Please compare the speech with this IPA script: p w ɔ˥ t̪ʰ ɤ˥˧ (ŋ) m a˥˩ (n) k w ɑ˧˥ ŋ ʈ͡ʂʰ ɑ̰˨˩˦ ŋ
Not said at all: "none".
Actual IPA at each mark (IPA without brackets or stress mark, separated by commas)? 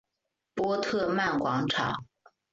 none, n